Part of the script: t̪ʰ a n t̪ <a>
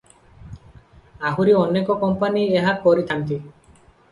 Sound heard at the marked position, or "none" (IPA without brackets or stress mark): i